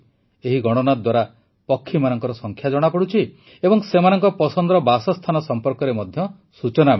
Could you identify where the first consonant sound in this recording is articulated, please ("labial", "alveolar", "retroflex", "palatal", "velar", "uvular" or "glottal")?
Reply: glottal